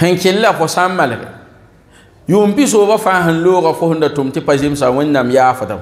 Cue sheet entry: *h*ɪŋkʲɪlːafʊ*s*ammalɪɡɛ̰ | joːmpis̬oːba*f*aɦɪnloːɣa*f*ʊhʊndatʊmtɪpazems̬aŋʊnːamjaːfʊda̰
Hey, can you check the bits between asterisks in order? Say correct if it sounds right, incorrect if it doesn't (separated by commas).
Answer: correct, correct, correct, correct